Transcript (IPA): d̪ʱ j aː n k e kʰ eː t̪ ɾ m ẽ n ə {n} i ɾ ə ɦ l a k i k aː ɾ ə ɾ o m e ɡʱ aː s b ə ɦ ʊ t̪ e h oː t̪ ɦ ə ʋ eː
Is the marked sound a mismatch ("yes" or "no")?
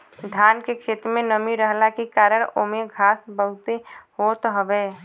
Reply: yes